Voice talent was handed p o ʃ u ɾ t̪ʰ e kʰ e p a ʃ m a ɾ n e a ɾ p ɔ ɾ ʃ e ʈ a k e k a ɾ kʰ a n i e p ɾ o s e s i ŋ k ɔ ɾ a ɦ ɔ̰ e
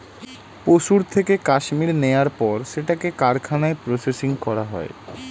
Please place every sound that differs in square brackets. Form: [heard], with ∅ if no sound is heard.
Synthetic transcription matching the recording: p o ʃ u ɾ t̪ʰ e [k] e [k] a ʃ m [i] ɾ n e a ɾ p ɔ ɾ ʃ e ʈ a k e k a ɾ kʰ a n [a] e p ɾ o s e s i ŋ k ɔ ɾ a ɦ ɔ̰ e